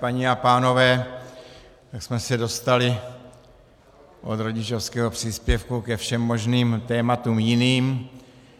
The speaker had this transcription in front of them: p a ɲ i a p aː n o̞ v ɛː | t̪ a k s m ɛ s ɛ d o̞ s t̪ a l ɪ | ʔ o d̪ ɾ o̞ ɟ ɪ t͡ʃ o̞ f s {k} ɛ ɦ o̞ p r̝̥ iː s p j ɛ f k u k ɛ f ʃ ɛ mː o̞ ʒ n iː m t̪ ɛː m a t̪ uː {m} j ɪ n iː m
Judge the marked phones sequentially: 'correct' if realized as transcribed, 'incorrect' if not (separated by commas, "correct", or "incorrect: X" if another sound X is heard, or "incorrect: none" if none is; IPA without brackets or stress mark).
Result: correct, correct